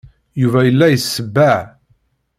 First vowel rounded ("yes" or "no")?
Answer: yes